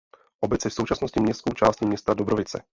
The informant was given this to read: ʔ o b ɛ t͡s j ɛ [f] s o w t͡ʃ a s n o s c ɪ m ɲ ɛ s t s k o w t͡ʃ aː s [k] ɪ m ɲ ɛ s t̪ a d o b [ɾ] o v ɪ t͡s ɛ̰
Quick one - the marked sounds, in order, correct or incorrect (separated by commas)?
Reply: correct, incorrect, correct